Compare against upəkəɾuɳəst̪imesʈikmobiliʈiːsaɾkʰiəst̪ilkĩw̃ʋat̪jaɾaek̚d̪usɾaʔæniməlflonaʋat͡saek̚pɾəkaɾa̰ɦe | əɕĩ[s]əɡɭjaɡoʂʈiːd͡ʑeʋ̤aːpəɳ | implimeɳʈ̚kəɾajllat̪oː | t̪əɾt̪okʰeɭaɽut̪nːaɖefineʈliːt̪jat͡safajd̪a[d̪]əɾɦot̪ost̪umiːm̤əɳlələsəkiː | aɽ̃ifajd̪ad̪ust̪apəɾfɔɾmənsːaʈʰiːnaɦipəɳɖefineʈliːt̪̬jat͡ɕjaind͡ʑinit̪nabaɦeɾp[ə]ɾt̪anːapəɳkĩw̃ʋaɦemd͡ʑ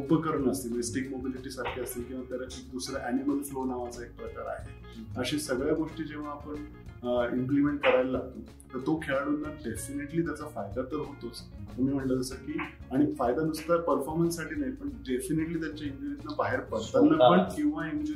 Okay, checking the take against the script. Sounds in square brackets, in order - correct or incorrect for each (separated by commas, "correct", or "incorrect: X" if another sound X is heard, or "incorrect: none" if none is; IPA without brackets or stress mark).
correct, incorrect: t̪, correct